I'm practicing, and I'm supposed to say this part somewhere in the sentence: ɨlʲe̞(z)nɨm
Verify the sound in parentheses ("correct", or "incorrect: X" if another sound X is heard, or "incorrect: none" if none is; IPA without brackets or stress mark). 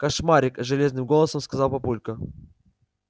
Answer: correct